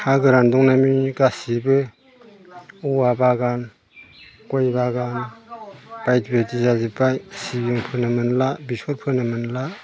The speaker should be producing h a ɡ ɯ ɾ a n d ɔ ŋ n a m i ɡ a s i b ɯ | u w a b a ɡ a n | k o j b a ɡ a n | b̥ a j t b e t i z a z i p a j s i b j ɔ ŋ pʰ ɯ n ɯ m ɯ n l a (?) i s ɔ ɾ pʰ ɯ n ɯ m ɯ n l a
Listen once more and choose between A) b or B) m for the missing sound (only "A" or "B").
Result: A